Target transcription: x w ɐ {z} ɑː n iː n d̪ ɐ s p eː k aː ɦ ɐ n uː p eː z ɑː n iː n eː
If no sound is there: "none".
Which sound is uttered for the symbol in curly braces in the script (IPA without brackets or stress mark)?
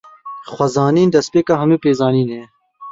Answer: z